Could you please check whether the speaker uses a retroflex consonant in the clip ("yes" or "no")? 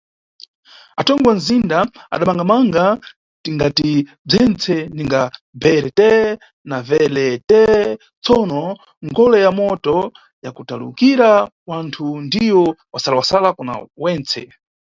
yes